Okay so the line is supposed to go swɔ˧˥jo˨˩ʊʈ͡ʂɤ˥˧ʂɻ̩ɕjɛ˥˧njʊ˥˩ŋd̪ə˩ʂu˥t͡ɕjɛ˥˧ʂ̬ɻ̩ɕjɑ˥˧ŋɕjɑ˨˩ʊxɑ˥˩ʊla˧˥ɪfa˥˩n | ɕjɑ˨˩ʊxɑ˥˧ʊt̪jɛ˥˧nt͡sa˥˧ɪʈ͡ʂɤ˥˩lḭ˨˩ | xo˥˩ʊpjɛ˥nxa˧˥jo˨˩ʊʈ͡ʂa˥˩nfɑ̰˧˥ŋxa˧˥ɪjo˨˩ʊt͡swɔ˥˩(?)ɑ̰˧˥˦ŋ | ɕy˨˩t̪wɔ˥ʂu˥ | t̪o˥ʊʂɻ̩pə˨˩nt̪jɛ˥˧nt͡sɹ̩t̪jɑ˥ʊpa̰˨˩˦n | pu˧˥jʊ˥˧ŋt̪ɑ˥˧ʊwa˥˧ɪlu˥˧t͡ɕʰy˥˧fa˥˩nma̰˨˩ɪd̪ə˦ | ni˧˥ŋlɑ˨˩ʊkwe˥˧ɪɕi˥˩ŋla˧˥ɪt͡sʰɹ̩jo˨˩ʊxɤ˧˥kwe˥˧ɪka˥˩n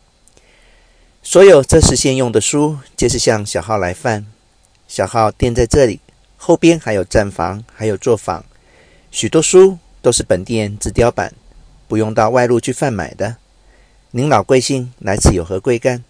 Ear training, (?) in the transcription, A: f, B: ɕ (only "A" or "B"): A